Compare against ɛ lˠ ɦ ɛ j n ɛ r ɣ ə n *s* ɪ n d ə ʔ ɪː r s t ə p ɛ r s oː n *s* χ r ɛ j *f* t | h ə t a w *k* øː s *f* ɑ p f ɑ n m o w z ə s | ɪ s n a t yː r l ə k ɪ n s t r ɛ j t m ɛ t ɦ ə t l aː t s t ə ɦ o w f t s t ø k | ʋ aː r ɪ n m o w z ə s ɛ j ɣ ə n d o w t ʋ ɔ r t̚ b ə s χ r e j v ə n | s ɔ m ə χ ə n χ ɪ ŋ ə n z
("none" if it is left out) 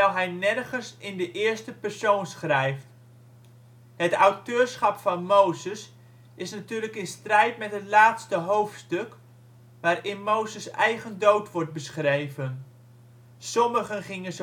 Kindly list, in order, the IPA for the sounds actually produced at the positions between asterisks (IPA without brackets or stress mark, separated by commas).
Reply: s, s, f, t, χ